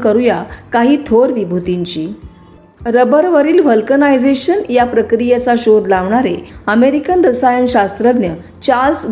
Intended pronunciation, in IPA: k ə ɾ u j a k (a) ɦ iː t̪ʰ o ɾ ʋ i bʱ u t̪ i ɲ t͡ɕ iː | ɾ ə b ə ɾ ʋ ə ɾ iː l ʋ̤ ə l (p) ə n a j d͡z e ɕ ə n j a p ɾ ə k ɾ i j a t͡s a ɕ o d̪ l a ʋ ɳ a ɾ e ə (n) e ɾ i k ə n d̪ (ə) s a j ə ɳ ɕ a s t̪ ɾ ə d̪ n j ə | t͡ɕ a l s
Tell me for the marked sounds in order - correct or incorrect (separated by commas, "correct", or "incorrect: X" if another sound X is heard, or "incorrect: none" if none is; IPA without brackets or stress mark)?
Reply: correct, incorrect: k, incorrect: m, correct